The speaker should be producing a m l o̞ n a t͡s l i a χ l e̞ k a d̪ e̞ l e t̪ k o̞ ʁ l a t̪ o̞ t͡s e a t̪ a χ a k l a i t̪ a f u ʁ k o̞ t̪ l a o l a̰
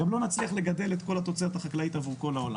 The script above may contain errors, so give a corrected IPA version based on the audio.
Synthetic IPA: a m l o̞ n a t͡s l i a χ l e̞ ɡ a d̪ e̞ l e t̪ k o̞ l a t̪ o̞ t͡s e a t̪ a χ a k l a i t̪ a v u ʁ k o̞ l a o l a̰